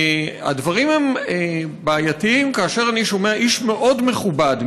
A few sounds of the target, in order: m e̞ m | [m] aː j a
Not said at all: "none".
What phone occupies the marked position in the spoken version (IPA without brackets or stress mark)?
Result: b